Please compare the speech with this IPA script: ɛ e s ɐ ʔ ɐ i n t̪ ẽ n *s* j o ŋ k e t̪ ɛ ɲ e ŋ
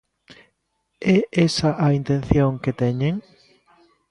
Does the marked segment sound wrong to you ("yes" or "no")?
yes